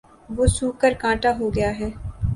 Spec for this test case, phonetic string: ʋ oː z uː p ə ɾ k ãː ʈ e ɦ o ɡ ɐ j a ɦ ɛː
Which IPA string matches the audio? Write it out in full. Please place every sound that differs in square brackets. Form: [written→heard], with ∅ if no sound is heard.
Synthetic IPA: ʋ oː [z→s] uː [p→k] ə ɾ k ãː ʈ [e→a] ɦ o ɡ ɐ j a ɦ ɛː